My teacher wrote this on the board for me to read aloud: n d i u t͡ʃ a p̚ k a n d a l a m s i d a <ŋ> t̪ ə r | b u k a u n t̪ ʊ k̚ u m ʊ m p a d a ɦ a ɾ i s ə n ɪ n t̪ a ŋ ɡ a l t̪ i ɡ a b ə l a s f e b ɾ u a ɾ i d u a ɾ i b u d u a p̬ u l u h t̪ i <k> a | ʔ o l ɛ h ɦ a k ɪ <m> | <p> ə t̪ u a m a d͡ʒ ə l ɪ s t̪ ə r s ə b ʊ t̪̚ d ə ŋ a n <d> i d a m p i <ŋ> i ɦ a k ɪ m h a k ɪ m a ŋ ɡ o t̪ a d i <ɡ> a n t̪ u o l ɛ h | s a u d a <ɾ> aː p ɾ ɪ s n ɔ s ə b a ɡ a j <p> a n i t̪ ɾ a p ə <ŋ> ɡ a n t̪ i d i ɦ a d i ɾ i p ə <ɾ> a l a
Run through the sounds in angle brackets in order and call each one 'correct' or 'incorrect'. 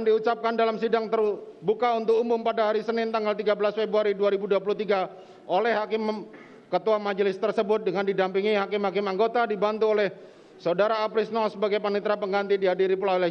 correct, incorrect: ɡ, correct, incorrect: k, correct, correct, incorrect: b, correct, correct, correct, incorrect: l

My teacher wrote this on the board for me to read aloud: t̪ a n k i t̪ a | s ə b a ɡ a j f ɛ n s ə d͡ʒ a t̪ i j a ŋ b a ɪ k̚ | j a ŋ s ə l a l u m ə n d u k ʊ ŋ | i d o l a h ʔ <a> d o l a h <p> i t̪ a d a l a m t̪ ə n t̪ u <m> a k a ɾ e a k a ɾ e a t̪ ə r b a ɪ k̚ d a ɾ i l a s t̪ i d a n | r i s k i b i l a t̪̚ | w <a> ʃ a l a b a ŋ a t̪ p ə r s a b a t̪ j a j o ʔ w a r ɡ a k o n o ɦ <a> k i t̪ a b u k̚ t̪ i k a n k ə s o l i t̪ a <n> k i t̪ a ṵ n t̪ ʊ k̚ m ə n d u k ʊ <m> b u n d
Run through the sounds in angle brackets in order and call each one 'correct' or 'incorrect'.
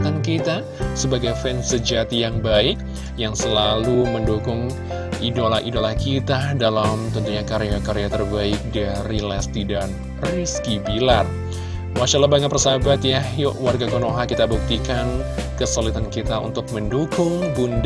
incorrect: i, incorrect: k, incorrect: ɲ, correct, correct, correct, incorrect: ŋ

